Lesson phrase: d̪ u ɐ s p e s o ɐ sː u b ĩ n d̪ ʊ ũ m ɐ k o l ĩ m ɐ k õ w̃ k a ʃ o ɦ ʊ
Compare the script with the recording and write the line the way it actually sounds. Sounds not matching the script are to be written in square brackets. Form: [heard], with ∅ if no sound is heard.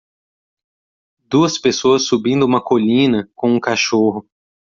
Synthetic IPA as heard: d̪ u ɐ s p e s o ɐ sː u b ĩ n d̪ ʊ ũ m ɐ k o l ĩ [n] ɐ k õ [ũ] k a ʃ o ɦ ʊ